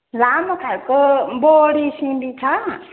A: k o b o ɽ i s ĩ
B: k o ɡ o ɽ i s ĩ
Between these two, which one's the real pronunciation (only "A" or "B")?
A